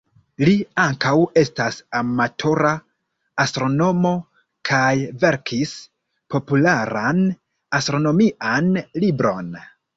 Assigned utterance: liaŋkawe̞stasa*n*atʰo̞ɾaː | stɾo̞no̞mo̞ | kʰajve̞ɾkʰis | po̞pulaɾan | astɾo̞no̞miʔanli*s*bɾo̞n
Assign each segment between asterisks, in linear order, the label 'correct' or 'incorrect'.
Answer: incorrect: m, incorrect: none

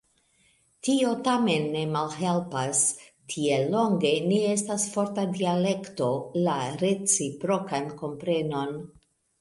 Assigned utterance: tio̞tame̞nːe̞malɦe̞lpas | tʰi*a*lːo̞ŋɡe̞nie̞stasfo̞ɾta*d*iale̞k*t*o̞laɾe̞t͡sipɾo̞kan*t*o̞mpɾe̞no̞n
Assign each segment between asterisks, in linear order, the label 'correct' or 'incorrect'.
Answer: incorrect: e, correct, correct, incorrect: k

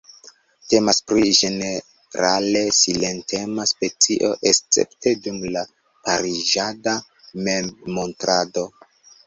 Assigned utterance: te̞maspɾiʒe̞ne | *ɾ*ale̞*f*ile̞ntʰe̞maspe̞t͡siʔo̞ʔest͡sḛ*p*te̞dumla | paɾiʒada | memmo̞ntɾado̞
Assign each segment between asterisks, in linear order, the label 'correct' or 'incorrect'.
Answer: correct, incorrect: s, correct

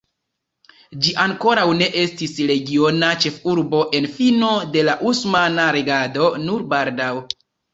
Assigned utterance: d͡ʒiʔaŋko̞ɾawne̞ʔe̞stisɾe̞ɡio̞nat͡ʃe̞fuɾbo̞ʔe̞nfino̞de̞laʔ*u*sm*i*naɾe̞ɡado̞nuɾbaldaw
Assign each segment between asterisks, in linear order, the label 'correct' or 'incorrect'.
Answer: correct, incorrect: a

